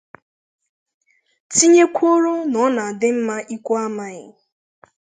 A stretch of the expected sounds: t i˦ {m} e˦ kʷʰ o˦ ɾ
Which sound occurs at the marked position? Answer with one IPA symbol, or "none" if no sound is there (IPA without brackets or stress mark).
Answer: ɲ